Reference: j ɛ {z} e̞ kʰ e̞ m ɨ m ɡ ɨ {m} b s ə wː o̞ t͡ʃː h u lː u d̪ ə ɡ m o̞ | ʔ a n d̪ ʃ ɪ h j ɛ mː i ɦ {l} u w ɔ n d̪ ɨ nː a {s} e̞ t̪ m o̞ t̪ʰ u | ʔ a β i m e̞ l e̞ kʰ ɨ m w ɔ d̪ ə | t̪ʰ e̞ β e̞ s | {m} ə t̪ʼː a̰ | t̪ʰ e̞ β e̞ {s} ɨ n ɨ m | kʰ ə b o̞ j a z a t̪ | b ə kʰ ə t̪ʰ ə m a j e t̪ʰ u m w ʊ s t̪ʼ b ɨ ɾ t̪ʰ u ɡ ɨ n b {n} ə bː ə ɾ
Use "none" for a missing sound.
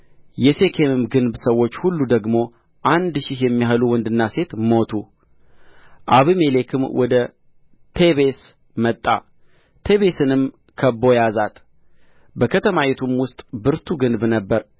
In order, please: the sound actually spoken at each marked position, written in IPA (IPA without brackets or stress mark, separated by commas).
s, n, l, s, m, s, n